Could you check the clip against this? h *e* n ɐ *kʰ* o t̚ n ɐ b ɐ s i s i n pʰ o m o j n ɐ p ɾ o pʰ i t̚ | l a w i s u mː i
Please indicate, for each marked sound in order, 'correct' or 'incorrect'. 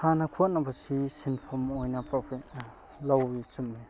incorrect: a, correct

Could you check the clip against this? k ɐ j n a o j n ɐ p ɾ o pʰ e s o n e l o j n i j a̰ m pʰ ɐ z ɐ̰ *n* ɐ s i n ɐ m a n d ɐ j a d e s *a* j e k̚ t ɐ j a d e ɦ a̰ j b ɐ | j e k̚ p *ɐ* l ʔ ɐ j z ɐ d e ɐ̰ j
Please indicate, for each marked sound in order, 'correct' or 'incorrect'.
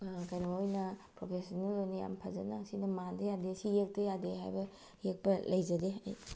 correct, incorrect: i, correct

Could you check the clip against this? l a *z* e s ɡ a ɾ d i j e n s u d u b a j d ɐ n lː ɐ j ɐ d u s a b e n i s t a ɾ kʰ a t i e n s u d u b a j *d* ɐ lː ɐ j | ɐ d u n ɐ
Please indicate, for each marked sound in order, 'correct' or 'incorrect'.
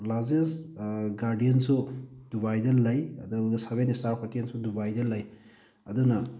correct, correct

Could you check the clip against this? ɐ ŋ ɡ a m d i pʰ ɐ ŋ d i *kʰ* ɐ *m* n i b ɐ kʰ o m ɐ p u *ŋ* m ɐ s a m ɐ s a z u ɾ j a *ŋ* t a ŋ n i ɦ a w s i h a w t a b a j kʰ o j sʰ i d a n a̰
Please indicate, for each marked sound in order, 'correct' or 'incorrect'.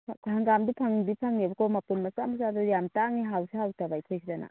incorrect: pʰ, incorrect: ŋ, incorrect: n, incorrect: m

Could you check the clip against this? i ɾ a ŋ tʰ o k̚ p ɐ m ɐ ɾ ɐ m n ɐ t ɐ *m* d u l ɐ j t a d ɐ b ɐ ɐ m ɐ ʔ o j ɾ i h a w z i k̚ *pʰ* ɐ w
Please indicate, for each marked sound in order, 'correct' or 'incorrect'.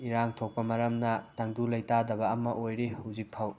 incorrect: ŋ, correct

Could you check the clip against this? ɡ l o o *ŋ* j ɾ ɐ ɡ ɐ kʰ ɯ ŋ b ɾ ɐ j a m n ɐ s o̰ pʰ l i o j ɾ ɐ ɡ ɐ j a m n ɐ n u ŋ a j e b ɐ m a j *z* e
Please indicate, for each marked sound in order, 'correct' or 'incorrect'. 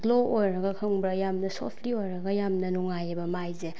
incorrect: none, correct

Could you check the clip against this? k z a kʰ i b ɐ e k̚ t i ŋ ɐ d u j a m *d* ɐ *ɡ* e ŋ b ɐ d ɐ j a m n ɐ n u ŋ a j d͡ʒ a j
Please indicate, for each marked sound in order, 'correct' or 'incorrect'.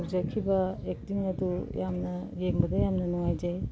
incorrect: n, correct

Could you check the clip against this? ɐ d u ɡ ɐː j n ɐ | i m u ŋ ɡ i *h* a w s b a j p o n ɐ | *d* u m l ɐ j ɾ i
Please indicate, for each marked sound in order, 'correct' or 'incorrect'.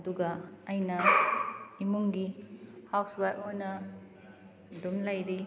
correct, correct

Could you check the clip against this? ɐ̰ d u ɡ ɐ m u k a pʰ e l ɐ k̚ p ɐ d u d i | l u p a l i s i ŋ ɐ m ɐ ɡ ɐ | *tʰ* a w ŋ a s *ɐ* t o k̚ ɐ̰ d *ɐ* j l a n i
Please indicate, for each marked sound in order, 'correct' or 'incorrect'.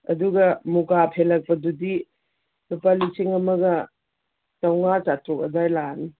incorrect: t, incorrect: a, incorrect: a

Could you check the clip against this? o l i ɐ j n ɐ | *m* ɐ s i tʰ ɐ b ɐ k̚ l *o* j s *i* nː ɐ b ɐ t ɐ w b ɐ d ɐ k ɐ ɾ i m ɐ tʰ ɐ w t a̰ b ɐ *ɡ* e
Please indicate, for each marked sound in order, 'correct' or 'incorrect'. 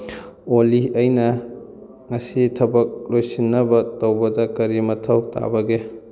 incorrect: ŋ, correct, correct, correct

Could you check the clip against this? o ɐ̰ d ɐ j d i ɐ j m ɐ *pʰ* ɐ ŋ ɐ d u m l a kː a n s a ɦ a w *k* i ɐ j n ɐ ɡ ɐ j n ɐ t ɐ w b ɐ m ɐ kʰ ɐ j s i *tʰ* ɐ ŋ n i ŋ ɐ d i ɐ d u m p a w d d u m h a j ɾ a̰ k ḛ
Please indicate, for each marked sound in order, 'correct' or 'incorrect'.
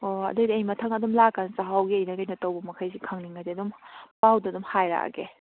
incorrect: tʰ, incorrect: ɡ, incorrect: kʰ

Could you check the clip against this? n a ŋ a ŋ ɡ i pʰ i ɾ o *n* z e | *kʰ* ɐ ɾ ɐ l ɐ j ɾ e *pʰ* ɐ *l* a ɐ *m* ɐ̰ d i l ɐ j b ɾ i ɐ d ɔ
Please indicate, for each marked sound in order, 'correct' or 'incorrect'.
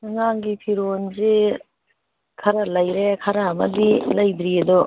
correct, correct, incorrect: kʰ, incorrect: ɾ, correct

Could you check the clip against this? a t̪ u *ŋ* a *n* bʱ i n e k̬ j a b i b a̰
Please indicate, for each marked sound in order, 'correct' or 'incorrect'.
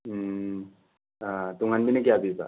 correct, correct

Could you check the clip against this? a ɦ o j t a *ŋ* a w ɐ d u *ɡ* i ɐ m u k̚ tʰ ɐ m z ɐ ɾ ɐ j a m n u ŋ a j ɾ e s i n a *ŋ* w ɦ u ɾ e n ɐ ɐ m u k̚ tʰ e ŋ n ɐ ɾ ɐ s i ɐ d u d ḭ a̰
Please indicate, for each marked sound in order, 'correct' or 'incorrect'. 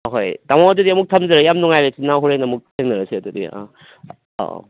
incorrect: m, incorrect: d, incorrect: none

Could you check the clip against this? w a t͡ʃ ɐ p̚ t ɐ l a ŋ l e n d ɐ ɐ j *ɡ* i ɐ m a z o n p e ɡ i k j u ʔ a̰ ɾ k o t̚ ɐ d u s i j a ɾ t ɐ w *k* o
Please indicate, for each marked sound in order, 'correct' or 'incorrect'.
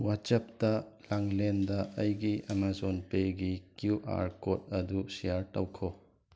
correct, incorrect: kʰ

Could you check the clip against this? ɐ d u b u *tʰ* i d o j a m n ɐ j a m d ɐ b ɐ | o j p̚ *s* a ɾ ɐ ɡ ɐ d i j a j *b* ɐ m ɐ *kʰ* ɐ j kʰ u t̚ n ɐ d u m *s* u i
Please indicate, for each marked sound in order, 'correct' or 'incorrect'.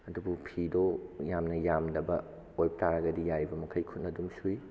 incorrect: pʰ, incorrect: t, correct, correct, correct

